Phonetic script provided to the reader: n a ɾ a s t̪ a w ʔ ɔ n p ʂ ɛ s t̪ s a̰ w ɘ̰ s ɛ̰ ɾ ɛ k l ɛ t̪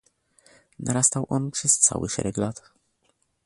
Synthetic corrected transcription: n a ɾ a s t̪ a w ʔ ɔ n p ʂ ɛ s t̪ s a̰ w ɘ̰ ʂ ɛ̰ ɾ ɛ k l a t̪